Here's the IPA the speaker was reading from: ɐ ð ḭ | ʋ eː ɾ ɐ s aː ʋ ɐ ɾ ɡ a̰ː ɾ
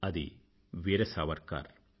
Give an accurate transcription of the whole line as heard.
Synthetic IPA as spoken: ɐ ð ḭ | ʋ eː ɾ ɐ s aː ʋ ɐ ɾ k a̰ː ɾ